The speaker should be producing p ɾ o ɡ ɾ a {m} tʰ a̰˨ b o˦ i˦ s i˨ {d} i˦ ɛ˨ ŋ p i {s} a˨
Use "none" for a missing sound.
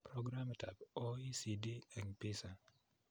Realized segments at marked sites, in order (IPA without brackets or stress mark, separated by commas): m, d, s